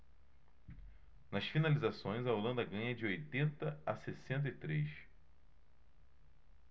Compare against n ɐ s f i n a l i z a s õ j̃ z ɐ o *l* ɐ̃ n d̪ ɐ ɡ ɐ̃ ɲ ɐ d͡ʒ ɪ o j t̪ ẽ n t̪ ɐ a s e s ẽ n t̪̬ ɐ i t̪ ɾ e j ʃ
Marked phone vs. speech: correct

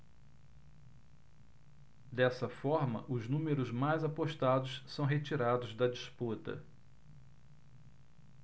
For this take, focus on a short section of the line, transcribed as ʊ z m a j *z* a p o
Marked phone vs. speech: correct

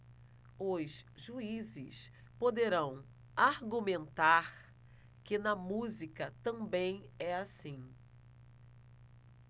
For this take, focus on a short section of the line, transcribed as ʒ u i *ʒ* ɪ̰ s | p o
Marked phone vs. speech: incorrect: z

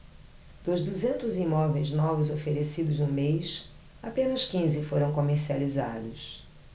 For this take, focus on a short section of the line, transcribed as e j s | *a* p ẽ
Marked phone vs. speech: correct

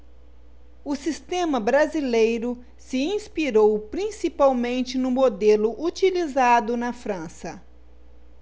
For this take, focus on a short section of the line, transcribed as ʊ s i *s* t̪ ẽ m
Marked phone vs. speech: correct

